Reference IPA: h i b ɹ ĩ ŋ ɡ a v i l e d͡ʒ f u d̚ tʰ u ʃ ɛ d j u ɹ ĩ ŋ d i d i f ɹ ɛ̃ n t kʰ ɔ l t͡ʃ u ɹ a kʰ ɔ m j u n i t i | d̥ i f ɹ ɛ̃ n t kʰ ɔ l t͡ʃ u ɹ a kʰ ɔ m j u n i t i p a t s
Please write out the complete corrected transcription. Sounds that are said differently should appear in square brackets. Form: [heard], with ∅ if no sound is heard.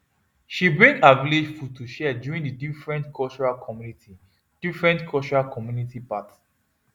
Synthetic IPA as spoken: [ʃ] i b ɹ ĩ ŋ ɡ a v i l e d͡ʒ f u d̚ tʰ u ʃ ɛ d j u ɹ ĩ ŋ d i d i f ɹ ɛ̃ n t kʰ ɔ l t͡ʃ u ɹ a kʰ ɔ m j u n i t i | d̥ i f ɹ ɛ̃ n t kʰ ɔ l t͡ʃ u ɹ a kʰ ɔ m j u n i t i p a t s